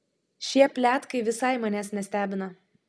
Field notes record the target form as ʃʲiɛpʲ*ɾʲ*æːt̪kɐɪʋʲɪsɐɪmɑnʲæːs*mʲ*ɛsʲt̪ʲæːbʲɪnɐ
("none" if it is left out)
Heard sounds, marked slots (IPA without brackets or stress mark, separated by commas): lʲ, nʲ